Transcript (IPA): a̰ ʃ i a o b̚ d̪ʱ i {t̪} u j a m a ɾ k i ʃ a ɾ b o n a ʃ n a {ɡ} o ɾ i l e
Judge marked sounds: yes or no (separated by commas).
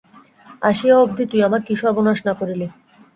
yes, no